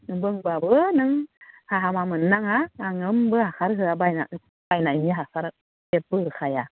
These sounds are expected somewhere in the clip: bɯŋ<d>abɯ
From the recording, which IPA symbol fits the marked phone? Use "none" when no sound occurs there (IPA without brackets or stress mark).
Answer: b